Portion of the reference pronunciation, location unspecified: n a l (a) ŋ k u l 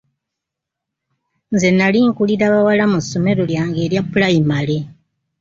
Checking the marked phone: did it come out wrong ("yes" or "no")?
yes